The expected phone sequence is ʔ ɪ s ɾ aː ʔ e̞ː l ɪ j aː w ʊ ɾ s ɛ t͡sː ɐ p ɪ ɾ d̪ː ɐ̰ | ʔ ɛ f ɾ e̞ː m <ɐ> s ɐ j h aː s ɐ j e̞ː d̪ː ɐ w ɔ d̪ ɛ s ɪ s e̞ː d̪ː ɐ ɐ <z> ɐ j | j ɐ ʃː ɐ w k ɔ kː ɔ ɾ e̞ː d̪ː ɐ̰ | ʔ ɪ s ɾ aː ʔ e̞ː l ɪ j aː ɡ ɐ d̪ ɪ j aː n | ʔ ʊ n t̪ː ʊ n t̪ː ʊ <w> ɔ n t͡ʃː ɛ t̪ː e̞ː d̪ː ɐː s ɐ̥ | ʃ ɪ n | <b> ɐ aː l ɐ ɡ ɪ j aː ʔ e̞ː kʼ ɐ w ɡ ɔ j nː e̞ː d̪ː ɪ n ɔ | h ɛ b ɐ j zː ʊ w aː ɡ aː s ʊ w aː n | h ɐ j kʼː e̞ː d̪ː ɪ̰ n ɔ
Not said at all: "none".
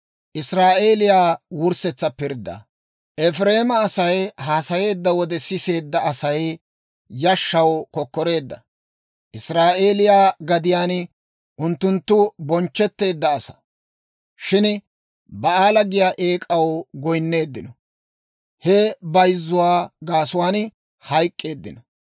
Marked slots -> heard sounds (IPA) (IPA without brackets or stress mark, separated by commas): ɐː, s, b, b